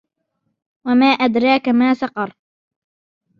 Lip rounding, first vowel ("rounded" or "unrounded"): unrounded